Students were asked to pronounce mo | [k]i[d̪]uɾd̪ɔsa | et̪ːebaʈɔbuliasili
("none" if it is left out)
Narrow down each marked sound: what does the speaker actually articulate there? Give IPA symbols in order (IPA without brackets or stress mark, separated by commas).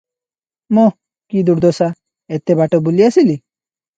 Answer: k, d̪